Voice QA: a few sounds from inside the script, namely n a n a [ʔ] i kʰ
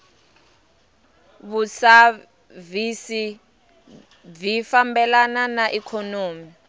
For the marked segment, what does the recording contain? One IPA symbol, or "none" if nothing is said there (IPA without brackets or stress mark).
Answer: ʔ